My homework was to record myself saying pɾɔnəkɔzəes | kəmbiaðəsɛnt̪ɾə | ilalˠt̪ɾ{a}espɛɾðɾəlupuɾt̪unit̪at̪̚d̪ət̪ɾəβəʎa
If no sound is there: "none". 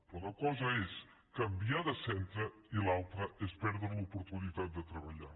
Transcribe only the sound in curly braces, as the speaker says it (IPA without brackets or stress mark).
ə